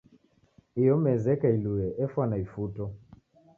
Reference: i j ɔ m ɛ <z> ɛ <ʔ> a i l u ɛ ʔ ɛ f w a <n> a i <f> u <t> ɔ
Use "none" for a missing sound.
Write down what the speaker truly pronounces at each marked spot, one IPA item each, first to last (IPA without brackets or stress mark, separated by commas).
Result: z, k, n, f, t